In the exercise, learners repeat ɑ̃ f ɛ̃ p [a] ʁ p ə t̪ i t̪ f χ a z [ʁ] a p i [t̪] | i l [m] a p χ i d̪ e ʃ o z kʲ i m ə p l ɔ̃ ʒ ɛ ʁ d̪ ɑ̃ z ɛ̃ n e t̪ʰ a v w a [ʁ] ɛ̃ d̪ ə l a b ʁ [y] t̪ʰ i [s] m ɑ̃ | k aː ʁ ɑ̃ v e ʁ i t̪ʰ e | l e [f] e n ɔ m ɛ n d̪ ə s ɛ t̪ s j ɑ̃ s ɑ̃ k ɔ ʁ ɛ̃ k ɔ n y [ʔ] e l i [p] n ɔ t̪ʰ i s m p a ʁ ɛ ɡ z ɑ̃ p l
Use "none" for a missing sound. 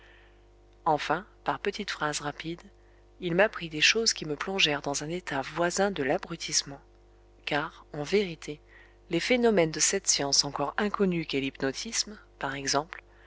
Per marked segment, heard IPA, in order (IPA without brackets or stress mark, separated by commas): a, ʁ, d̪, m, z, y, s, f, k, p